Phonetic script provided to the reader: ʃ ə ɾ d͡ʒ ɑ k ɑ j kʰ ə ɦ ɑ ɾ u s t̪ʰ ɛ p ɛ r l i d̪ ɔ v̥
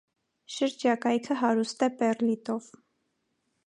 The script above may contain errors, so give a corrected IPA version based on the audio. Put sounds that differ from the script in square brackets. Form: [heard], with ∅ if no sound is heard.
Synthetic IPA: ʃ ə ɾ d͡ʒ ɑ k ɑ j kʰ ə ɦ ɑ ɾ u s [t̪] ɛ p ɛ r l i [t̪] ɔ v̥